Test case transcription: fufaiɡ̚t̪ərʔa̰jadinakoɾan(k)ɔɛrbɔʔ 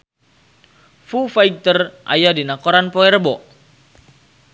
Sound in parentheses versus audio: incorrect: p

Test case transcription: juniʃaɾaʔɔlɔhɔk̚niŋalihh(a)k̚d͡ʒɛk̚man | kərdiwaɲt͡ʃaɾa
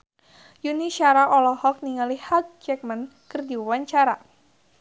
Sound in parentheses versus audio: correct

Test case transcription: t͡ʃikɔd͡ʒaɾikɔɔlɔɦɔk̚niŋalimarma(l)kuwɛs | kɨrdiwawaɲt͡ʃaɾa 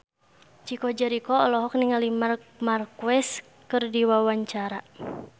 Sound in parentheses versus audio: incorrect: r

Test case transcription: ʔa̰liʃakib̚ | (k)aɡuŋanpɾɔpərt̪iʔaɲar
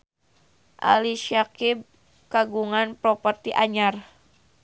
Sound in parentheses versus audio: correct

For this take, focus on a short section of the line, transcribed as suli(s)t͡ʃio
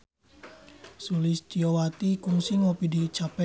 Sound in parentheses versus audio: correct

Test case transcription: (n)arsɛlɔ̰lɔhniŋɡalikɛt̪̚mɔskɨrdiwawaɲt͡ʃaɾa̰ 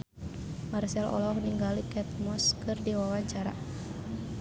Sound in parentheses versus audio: incorrect: m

